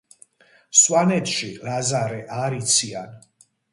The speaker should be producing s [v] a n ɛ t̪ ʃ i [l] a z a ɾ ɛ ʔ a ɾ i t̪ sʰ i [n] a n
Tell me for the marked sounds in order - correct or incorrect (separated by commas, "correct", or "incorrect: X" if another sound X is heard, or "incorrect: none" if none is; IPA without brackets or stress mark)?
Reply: incorrect: w, correct, incorrect: none